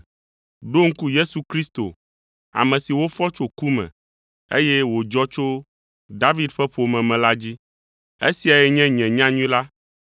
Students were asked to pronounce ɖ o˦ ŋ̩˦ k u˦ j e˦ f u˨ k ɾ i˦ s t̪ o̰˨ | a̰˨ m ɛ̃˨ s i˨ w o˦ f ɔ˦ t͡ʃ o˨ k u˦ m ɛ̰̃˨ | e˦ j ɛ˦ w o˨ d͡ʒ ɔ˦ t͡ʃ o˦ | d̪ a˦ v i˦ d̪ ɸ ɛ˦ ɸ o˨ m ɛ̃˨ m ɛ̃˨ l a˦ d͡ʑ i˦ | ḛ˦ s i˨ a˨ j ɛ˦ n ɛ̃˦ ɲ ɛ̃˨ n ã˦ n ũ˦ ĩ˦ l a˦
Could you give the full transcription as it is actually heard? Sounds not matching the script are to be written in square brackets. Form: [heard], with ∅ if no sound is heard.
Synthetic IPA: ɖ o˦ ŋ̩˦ k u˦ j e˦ [s] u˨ k ɾ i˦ s t̪ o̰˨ | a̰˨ m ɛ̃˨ s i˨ w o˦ f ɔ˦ t͡ʃ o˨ k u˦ m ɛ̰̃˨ | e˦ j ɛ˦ w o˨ d͡ʒ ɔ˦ t͡ʃ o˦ | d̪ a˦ v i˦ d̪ ɸ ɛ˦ ɸ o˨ m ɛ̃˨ m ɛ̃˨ l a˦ d͡ʑ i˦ | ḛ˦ s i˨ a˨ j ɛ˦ [ɲ] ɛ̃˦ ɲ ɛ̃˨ [ɲ] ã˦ [ɲ] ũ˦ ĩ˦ l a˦